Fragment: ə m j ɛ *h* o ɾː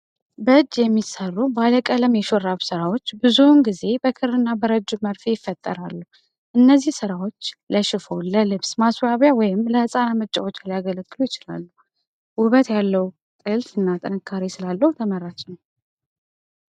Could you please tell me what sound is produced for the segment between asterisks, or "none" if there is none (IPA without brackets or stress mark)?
ʃ